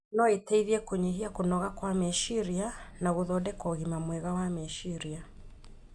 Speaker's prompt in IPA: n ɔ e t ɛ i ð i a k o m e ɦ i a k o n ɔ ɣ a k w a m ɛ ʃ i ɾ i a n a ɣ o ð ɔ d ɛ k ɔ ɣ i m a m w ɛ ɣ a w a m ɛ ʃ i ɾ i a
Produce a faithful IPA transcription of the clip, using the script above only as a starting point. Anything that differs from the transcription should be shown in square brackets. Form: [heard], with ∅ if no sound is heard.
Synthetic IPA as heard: n ɔ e t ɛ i ð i [ɛ] k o [ɲ] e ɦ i a k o n ɔ ɣ a k w a m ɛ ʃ i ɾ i a n a ɣ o ð ɔ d ɛ k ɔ ɣ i m a m w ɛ ɣ a w a m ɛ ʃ i ɾ i a